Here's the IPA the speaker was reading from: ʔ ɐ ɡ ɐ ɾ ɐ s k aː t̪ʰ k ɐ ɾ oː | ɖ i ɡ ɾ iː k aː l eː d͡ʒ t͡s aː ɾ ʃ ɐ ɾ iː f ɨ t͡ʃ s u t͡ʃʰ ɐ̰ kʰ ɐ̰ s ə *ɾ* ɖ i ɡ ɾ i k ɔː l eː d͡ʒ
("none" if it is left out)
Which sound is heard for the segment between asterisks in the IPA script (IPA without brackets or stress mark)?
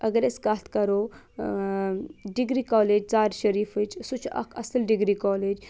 l